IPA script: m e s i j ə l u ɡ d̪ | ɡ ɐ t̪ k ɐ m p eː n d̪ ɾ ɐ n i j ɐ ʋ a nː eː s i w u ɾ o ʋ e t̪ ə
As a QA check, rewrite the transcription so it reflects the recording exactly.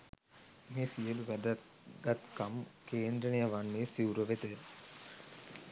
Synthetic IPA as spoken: m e s i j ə l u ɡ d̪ | ɡ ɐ t̪ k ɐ m k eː n d̪ ɾ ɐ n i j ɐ ʋ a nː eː s i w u ɾ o ʋ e t̪ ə